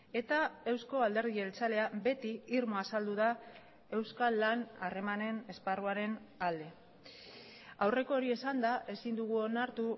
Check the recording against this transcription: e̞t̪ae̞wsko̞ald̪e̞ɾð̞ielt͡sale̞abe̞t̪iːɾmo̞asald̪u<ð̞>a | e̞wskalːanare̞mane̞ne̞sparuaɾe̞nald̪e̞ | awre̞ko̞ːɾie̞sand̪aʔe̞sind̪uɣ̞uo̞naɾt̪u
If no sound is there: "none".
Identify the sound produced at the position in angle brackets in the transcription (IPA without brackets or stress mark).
ð̞